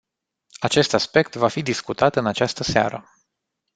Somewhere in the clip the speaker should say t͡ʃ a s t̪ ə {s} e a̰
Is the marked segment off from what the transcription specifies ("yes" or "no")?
no